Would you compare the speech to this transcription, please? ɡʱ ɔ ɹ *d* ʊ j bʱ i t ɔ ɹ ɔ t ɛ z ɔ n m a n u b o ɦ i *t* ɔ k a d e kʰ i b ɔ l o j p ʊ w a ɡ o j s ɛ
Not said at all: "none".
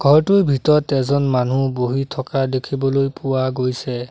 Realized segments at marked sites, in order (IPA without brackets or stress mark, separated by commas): t, tʰ